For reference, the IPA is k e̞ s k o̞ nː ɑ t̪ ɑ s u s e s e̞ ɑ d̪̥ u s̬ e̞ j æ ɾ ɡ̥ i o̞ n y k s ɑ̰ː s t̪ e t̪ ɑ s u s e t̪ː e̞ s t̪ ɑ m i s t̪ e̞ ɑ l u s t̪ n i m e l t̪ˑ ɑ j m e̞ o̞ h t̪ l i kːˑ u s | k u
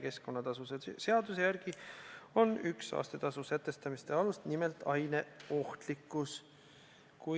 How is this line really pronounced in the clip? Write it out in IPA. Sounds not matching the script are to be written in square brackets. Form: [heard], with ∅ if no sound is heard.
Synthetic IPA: k e̞ s k o̞ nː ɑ t̪ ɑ s u s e s e̞ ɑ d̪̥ u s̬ e̞ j æ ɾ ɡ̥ i o̞ n y k s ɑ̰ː s t̪ e t̪ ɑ s u s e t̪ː e̞ s t̪ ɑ m i s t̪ e̞ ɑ l u s t̪ n i m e l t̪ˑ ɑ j [n] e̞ o̞ h t̪ l i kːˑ u s | k u